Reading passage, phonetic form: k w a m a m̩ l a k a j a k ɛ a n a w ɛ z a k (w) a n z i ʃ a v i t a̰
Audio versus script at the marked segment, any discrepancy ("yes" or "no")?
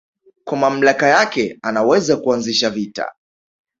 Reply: yes